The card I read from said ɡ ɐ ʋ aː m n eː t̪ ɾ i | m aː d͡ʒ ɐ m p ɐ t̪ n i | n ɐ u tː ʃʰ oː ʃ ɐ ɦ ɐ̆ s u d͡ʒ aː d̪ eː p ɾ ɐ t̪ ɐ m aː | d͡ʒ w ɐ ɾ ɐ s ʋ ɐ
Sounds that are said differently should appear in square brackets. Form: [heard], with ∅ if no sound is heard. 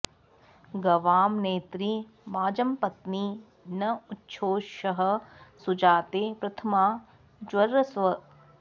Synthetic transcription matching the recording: ɡ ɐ ʋ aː m n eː t̪ ɾ i | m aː d͡ʒ ɐ m p ɐ t̪ n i | n ɐ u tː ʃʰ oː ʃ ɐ ɦ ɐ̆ s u d͡ʒ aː [t̪] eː p ɾ ɐ [t̪ʰ] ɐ m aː | d͡ʒ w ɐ ɾ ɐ s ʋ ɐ